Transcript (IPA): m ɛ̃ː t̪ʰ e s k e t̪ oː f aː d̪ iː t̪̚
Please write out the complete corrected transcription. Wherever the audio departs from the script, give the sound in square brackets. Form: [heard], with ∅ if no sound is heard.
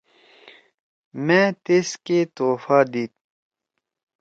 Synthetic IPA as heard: m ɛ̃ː [t̪] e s k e t̪ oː f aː d̪ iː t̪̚